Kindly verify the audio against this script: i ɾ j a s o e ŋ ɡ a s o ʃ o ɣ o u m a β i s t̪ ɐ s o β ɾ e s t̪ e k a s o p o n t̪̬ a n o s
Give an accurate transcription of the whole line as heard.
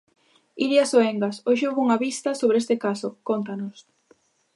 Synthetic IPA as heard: i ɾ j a s o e ŋ ɡ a s o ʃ o ɣ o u ŋ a β i s t̪ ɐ s o β ɾ e s t̪ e k a s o k o n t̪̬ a n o s